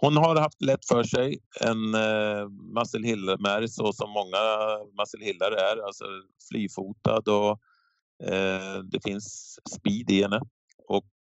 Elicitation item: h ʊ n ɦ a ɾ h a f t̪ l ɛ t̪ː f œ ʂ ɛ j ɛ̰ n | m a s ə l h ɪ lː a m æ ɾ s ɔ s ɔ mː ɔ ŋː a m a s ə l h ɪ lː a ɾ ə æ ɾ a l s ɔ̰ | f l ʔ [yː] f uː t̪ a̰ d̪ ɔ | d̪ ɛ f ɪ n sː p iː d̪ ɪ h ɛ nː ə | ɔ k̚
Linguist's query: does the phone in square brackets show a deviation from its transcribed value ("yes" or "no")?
no